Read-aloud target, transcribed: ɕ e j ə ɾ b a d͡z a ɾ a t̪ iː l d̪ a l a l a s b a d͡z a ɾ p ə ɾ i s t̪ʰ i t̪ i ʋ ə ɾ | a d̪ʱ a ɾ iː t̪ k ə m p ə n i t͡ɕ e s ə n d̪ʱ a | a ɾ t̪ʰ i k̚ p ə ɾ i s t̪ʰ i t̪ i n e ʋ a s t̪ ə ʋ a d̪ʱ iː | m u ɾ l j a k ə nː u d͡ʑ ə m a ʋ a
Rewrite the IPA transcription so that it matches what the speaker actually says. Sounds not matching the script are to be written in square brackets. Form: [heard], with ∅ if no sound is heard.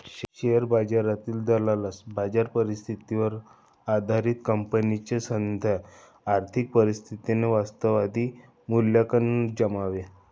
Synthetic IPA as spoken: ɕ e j ə ɾ b a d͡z a ɾ a t̪ iː l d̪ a l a l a s b a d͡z a ɾ p ə ɾ i s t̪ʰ i t̪ i ʋ ə ɾ | a d̪ʱ a ɾ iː t̪ k ə m p ə n i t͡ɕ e s ə n d̪ʱ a | a ɾ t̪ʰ i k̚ p ə ɾ i s t̪ʰ i t̪ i n e ʋ a s t̪ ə ʋ a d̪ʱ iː | m u [∅] l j a k ə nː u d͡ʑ ə m a ʋ [e]

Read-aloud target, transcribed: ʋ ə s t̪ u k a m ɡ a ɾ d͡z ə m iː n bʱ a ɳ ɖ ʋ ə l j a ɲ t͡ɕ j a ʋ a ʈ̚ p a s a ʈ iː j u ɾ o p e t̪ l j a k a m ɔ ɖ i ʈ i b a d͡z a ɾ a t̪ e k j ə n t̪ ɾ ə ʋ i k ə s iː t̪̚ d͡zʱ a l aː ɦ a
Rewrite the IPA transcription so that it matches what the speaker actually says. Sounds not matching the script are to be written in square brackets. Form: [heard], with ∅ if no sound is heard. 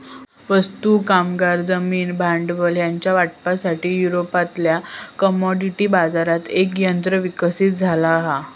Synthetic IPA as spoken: ʋ ə s t̪ u k a m ɡ a ɾ d͡z ə m iː n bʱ a ɳ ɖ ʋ ə l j a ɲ t͡ɕ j a ʋ a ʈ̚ p a s a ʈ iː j u ɾ o p [a] t̪ l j a k [ə] m ɔ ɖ i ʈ i b a d͡z a ɾ a t̪ e k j ə n t̪ ɾ ə ʋ i k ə s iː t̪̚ d͡zʱ a l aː ɦ a

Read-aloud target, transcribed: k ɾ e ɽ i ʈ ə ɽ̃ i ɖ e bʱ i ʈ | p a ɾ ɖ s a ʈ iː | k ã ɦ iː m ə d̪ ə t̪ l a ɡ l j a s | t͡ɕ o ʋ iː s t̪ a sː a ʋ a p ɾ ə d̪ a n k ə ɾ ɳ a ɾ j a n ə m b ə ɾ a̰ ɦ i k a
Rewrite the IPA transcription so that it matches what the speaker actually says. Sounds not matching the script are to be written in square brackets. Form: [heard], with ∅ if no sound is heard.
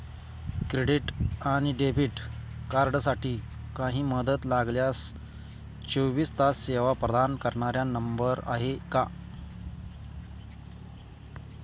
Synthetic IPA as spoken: k ɾ e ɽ i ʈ [a] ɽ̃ i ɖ e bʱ i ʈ | [k] a ɾ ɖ s a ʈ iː | k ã ɦ iː m ə d̪ ə t̪ l a ɡ l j a s | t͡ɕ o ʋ iː s t̪ a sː [e] ʋ a p ɾ ə d̪ a n k ə ɾ ɳ a ɾ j a n ə m b ə ɾ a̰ ɦ [e] k a

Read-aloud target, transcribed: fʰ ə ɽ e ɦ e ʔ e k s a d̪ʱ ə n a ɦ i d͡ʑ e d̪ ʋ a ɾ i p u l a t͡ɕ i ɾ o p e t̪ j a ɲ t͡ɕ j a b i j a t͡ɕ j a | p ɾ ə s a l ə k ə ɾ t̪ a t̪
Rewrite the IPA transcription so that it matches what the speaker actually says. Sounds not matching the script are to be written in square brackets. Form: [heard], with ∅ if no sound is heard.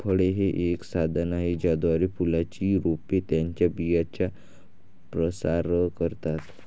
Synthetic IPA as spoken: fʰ ə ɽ e ɦ e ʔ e k s a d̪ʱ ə n a ɦ i d͡ʑ [a] d̪ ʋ a ɾ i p u l a t͡ɕ i ɾ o p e t̪ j a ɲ t͡ɕ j a b i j a t͡ɕ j a | p ɾ ə s a [ɾ] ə k ə ɾ t̪ a t̪

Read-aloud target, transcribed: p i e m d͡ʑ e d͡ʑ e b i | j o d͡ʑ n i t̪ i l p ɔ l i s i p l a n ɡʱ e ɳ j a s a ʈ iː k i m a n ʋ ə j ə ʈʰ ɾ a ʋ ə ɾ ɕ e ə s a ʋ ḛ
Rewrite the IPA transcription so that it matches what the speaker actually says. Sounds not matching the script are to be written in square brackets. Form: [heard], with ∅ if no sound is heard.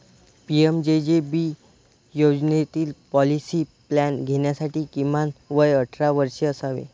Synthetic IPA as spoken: p i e m d͡ʑ e d͡ʑ e b i | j o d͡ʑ n [e] t̪ [iː] l p ɔ l i s i p l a n ɡʱ e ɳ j a s a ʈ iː k i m a n ʋ ə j ə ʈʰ ɾ a ʋ ə ɾ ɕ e ə s a ʋ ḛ

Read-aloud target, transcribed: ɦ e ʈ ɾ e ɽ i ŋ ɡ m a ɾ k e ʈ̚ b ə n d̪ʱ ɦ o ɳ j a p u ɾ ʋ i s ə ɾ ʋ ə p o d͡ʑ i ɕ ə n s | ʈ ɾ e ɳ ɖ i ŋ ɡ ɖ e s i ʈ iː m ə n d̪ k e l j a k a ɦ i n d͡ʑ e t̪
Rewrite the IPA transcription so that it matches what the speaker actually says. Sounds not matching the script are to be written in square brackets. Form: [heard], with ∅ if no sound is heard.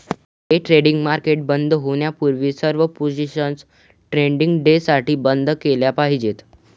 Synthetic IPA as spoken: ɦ e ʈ ɾ e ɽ i ŋ ɡ m a ɾ k e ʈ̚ b ə n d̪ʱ ɦ o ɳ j a p u ɾ ʋ i s ə ɾ ʋ ə p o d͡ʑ i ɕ ə n s | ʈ ɾ e ɳ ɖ i ŋ ɡ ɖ e s [a] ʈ iː [b] ə n d̪ k e l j a [p] a ɦ i [∅] d͡ʑ e t̪

